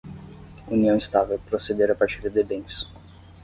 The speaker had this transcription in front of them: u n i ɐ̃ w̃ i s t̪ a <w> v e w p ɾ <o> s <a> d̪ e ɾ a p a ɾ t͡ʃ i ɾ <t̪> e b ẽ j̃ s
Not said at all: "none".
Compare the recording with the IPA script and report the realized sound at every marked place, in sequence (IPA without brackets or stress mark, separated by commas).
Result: none, o, e, d̪